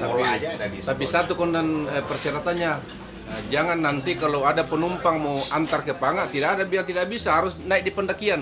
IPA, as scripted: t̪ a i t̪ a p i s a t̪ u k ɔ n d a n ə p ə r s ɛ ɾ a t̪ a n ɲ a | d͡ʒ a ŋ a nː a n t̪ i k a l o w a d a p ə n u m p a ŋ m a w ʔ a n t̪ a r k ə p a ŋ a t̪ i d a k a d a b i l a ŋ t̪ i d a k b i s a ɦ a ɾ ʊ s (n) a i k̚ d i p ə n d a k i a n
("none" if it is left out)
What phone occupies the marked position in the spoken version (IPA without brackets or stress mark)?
n